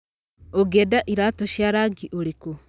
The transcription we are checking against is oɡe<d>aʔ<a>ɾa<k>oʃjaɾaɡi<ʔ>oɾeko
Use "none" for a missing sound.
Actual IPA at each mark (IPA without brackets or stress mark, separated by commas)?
d, i, t, ʔ